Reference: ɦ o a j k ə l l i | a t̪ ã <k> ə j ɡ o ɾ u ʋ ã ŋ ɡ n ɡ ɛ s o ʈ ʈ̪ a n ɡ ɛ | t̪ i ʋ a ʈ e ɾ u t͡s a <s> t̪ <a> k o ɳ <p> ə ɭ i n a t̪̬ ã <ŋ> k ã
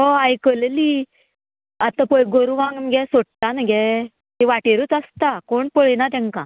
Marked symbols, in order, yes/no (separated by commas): no, yes, yes, yes, yes